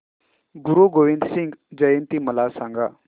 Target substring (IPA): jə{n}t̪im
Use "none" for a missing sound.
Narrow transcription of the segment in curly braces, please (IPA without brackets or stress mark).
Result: n